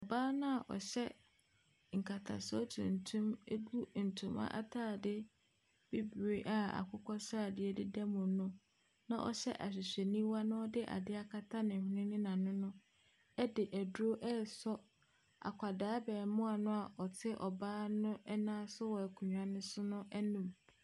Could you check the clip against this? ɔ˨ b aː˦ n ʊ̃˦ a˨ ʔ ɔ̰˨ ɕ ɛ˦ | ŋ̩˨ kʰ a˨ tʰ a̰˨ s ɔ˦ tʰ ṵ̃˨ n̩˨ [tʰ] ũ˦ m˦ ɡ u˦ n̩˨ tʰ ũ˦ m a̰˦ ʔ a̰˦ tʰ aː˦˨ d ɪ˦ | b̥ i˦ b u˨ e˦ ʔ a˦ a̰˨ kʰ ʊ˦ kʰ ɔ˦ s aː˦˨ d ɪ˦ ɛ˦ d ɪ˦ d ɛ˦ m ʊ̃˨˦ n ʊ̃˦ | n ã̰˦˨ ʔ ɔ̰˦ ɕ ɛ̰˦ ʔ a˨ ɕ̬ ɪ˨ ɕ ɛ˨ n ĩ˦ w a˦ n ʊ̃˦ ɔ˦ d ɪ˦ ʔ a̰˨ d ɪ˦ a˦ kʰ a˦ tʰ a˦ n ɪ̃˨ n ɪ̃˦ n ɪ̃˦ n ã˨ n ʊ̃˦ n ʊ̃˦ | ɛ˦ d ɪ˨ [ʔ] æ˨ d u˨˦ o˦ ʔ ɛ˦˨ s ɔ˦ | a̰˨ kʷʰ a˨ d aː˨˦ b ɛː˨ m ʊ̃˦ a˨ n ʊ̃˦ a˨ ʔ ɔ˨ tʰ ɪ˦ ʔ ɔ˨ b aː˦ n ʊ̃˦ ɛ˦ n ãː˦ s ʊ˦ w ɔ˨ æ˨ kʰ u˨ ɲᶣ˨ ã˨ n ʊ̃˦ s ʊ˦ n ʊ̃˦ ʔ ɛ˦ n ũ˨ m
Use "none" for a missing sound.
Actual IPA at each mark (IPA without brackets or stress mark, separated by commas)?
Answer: tʰ, ʔ